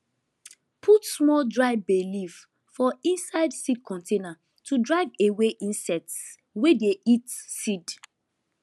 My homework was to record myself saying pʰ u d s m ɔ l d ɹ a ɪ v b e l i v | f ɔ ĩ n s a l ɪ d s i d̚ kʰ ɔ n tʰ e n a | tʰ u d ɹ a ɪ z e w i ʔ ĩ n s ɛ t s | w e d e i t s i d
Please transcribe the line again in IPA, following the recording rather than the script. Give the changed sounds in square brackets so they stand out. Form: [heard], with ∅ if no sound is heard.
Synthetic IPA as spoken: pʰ u [t] s m ɔ l d ɹ a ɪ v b e l i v | f ɔ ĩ n s a [∅] ɪ d s i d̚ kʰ [ɔ̃] n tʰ e n a | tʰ u d ɹ a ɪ [v] e w [e] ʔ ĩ n s ɛ t s | w e d e i t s i d